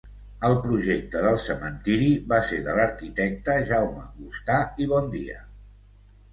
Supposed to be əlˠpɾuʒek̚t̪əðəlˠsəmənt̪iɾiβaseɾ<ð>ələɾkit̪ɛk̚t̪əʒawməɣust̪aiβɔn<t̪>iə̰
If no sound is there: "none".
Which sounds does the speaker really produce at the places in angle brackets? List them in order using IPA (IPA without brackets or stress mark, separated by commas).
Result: ð, d̪